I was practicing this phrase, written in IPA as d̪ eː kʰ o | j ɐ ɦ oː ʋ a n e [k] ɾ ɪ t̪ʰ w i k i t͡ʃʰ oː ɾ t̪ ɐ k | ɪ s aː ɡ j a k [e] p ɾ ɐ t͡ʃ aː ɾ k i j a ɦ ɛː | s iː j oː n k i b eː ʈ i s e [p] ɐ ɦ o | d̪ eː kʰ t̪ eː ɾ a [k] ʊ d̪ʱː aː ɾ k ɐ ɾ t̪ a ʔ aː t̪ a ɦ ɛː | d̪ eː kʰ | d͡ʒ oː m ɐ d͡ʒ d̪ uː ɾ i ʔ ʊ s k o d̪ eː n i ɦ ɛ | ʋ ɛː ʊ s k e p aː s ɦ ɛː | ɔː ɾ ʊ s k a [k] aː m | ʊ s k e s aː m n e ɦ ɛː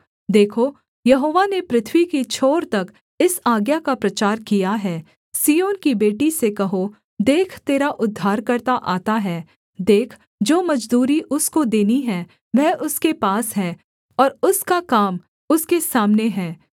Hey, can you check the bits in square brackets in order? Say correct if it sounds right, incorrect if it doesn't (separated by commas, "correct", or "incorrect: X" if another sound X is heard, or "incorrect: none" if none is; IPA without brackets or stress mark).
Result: incorrect: p, incorrect: a, incorrect: k, incorrect: ʔ, correct